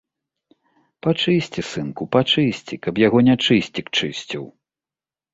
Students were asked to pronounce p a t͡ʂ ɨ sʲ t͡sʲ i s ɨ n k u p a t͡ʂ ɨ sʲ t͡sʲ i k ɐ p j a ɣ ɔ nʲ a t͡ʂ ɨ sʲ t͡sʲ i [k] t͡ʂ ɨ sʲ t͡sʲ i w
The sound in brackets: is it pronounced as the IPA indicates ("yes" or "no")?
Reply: yes